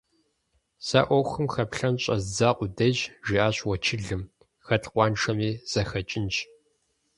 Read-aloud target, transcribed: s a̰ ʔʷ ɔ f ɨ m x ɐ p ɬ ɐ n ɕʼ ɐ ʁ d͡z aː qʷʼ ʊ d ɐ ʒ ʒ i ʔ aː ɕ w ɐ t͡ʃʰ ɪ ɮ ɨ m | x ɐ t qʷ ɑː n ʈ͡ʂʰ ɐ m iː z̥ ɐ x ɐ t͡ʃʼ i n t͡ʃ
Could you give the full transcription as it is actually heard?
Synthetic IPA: s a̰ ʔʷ ɔ x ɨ m x ɐ p ɬ ɐ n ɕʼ ɐ z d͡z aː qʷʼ ʊ d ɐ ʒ ʒ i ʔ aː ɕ w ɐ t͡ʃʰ ɪ ɮ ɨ m | x ɐ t qʷ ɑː n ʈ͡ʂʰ ɐ m iː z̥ ɐ x ɐ t͡ʃʼ ɪ n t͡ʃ